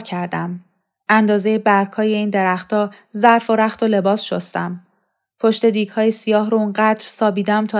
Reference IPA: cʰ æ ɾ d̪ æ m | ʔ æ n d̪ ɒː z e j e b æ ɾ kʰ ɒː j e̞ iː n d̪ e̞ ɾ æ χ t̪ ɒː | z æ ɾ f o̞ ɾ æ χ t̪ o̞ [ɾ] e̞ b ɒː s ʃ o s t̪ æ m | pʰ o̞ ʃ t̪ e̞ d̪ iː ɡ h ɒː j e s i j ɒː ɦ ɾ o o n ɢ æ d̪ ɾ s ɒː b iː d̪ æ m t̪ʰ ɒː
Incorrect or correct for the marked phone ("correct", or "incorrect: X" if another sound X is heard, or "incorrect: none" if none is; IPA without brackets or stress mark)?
incorrect: l